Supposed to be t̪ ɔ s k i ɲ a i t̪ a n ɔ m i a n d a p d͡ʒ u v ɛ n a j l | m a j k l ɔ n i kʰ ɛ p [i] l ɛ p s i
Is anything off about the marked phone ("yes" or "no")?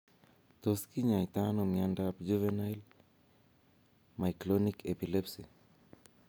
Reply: no